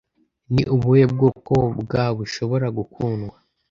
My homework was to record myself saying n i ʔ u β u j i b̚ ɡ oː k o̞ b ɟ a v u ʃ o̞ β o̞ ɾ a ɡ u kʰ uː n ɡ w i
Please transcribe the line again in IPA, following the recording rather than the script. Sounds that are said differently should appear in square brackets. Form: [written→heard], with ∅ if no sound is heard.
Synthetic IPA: n i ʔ u β u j [i→e] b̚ ɡ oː k o̞ b [ɟ→ɡ] a [v→β] u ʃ o̞ β o̞ ɾ a ɡ u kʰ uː n ɡ w [i→a]

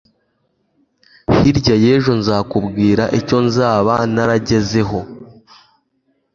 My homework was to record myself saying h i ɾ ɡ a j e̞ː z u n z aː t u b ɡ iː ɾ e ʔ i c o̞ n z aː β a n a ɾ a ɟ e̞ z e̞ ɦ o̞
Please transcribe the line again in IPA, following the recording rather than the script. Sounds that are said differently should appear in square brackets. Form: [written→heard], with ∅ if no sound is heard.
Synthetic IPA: h i ɾ [ɡ→ɟ] a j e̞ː [z→ʒ] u n z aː [t→k] u b ɡ iː ɾ [e→a] ʔ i c o̞ n z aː β a n a ɾ a ɟ e̞ z e̞ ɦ o̞

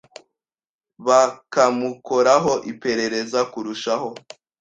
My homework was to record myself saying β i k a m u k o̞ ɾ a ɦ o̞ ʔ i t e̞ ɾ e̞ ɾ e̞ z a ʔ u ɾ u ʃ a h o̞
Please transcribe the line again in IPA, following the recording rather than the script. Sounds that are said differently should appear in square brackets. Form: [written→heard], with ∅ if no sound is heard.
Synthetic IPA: β [i→a] k a m u k o̞ ɾ a ɦ o̞ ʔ i [t→p] e̞ ɾ e̞ ɾ e̞ z a [ʔ→k] u ɾ u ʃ a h o̞

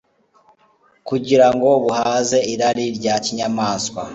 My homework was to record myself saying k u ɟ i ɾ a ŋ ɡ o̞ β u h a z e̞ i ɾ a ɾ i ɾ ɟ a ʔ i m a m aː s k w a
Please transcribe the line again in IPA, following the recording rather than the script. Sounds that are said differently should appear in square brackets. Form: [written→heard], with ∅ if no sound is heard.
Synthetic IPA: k u ɟ i ɾ a ŋ ɡ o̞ β u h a z e̞ i ɾ a ɾ i ɾ ɟ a [ʔ→c] i [m→ɲ] a m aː s k w a

